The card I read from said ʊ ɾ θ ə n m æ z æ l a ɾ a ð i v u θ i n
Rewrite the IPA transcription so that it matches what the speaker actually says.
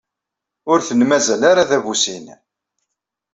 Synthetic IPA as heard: ʊ ɾ θ ə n m æ z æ l a ɾ a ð æ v u s i n